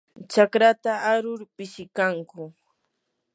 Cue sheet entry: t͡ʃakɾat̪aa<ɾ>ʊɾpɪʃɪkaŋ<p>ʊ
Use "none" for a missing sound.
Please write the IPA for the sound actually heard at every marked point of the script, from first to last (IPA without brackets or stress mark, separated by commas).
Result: ɾ, k